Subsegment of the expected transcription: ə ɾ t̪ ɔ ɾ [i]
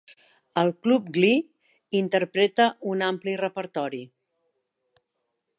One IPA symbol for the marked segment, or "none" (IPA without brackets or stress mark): i